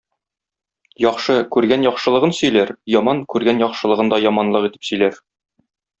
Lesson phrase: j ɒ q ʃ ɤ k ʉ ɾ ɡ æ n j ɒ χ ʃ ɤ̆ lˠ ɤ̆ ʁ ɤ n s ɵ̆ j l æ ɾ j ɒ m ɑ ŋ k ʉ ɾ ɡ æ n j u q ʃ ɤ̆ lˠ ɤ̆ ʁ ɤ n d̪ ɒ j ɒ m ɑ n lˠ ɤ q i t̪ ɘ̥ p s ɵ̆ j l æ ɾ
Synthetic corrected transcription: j ɒ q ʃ ɤ k ʉ ɾ ɡ æ n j ɒ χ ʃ ɤ̆ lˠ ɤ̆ ʁ ɤ n s ɵ̆ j l æ ɾ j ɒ m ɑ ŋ k ʉ ɾ ɡ æ n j ɒ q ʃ ɤ̆ lˠ ɤ̆ ʁ ɤ n d̪ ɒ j ɒ m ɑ n lˠ ɤ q i t̪ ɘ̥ p s ɵ̆ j l æ ɾ